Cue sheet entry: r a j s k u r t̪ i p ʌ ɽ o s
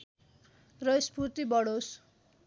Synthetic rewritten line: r ʌ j s p u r t̪ i b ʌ ɽ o s